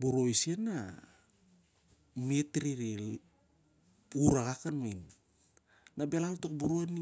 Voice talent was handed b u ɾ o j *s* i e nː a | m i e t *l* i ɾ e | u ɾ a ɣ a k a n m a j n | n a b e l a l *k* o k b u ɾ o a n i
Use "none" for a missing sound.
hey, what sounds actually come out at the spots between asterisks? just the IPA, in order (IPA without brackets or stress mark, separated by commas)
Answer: s, ɾ, t